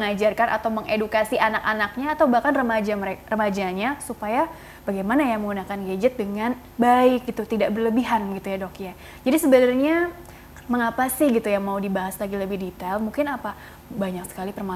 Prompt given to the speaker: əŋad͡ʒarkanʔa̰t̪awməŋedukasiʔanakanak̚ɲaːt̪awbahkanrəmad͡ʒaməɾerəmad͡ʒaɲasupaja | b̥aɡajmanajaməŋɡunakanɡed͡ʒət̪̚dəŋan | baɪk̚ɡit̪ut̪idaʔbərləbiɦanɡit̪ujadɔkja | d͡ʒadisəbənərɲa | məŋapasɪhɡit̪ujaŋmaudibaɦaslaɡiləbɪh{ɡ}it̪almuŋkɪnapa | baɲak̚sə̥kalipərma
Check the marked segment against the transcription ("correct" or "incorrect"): incorrect